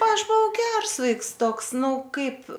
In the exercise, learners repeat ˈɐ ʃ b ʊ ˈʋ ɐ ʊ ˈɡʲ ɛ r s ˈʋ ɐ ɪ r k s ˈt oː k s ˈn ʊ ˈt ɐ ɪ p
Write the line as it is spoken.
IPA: ˈɐ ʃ b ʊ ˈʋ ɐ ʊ ˈɡʲ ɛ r s ˈʋ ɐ ɪ k s ˈt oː k s ˈn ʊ ˈk ɐ ɪ p